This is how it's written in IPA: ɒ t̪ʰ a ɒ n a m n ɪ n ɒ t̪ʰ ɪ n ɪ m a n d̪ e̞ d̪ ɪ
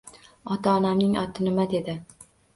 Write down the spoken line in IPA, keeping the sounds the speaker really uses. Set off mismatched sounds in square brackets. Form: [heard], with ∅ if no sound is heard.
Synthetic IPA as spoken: ɒ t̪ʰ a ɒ n a m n ɪ [ŋ] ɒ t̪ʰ ɪ n ɪ m a [∅] d̪ e̞ d̪ ɪ